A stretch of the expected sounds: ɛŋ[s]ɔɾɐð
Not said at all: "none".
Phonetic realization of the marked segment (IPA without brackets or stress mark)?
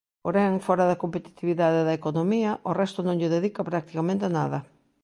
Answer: f